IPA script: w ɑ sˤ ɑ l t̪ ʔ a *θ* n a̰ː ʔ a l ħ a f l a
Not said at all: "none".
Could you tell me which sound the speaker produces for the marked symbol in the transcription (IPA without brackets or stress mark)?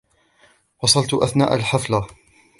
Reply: θ